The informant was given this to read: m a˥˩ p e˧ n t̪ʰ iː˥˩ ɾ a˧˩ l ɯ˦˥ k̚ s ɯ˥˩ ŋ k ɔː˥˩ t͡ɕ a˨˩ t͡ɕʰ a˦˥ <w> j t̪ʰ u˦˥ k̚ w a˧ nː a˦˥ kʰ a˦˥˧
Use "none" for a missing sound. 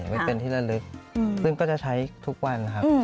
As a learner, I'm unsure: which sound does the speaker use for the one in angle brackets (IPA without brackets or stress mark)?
none